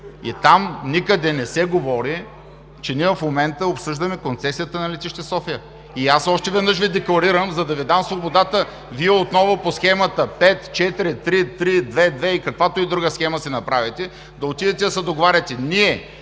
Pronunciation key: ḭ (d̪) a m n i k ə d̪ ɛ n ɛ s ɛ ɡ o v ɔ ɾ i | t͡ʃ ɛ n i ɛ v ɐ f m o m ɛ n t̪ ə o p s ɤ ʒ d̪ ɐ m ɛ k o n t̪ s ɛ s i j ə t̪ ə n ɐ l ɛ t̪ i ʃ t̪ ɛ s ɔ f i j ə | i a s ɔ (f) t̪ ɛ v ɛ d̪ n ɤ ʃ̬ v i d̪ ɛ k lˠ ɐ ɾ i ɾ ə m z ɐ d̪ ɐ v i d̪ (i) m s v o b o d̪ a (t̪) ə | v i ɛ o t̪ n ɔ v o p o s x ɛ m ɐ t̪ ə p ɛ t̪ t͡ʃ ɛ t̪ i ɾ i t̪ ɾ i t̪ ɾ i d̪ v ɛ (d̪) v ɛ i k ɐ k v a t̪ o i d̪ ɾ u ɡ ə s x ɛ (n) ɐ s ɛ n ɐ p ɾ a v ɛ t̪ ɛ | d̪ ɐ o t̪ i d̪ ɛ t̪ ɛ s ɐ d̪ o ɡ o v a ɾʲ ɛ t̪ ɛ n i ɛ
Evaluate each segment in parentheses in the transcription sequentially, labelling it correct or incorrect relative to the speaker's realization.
incorrect: t̪, incorrect: ʃ, incorrect: a, correct, correct, incorrect: m

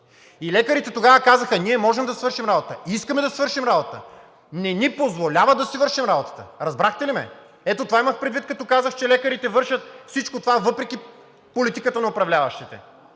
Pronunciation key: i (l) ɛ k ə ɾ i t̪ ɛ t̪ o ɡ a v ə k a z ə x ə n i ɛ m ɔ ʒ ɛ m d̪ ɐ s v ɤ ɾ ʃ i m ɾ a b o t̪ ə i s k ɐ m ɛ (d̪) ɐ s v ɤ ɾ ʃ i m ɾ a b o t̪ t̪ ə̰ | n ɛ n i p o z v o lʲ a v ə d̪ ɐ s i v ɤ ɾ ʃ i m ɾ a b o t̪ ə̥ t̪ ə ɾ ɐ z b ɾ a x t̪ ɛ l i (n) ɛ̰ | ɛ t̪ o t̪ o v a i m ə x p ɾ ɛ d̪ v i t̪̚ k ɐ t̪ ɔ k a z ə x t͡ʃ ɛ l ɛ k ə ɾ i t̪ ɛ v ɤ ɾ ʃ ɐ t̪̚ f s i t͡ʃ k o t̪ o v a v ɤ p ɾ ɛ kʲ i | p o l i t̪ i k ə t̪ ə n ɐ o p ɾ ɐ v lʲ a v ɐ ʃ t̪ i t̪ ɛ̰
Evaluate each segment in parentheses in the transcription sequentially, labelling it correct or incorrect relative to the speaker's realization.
correct, correct, incorrect: m

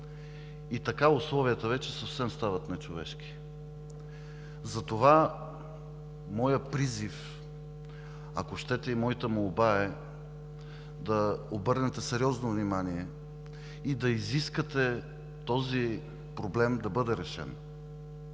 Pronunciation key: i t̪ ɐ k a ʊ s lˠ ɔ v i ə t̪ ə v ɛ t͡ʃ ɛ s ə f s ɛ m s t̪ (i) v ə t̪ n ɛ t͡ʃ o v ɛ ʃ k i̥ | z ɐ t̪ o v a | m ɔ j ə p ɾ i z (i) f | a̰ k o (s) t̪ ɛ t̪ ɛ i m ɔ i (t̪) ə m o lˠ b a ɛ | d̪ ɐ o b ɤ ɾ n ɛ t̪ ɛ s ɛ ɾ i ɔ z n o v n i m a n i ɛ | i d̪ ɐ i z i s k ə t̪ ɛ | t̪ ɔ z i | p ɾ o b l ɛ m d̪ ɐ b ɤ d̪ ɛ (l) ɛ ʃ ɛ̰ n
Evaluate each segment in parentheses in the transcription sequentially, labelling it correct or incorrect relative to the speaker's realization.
incorrect: a, correct, incorrect: ʃ, correct, incorrect: ɾ

